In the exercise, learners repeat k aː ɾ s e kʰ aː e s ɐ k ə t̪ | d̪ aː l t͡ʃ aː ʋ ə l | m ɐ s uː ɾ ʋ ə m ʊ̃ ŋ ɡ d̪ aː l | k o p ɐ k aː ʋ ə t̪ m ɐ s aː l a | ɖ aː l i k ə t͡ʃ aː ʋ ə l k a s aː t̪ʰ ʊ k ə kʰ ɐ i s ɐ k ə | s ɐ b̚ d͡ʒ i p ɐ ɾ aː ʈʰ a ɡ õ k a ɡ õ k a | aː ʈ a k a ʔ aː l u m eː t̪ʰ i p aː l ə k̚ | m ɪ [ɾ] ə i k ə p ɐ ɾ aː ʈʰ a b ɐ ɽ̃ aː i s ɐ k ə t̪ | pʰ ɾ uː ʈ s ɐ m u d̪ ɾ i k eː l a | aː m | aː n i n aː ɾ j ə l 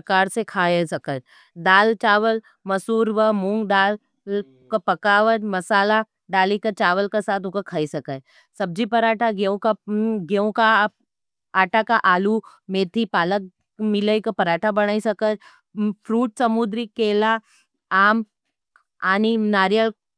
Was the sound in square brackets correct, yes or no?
no